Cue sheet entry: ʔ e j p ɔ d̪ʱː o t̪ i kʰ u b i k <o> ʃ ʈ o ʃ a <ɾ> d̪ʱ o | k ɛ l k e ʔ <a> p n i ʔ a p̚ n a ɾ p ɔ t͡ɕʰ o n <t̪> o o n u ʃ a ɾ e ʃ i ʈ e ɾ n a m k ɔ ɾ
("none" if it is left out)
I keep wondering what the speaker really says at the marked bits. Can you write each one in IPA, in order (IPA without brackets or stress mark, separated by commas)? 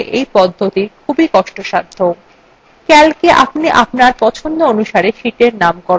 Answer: ɔ, ɾ, a, d̪